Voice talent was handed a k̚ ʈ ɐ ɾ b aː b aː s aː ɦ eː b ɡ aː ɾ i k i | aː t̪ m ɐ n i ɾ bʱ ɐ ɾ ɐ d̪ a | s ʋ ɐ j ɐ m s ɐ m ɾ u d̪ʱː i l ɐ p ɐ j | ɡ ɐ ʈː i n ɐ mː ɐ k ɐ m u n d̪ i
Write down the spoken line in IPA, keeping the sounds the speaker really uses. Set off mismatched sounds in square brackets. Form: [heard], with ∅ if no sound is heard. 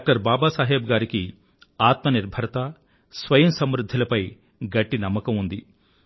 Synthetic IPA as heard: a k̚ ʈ ɐ ɾ b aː b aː s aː ɦ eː b ɡ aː ɾ i k i | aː t̪ m ɐ n i ɾ bʱ ɐ ɾ ɐ [t̪] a | s ʋ ɐ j ɐ m s ɐ m ɾ u d̪ʱː i l ɐ p ɐ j | ɡ ɐ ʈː i n ɐ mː ɐ k ɐ m u n d̪ i